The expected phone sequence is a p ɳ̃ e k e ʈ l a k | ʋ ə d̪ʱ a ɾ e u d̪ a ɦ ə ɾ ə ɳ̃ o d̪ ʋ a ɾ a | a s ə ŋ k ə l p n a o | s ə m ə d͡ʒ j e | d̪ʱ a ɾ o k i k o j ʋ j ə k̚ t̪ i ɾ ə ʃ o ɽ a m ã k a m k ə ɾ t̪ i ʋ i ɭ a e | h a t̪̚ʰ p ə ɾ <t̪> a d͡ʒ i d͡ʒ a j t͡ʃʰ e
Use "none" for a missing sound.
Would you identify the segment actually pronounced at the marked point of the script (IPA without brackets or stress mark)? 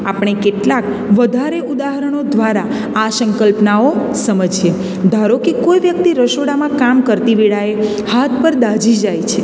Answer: d̪